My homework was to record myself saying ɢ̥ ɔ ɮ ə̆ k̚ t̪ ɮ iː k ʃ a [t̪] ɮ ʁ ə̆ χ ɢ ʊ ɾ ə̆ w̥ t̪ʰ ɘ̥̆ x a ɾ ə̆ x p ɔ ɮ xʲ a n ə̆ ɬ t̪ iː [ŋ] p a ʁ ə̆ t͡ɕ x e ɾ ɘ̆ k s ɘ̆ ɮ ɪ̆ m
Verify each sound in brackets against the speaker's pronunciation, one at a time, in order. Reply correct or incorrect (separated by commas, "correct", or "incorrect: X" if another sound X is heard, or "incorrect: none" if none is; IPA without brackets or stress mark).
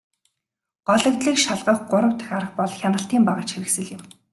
incorrect: none, incorrect: m